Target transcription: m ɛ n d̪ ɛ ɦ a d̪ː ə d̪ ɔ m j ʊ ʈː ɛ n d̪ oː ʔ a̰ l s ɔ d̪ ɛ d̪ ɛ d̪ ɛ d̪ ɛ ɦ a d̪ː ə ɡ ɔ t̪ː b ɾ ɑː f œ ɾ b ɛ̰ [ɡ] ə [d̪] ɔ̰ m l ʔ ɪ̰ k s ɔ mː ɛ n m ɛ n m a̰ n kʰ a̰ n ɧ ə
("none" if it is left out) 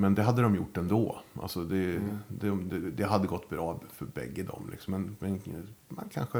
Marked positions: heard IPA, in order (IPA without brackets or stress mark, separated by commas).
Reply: ɡː, d̪